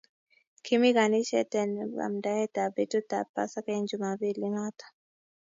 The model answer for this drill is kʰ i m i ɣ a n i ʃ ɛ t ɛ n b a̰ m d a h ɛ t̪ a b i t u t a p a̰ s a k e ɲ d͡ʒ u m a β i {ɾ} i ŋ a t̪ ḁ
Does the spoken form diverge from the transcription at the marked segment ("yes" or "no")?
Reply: yes